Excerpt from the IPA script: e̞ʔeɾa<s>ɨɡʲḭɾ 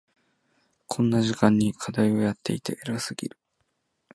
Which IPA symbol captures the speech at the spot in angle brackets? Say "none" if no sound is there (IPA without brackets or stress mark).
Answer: s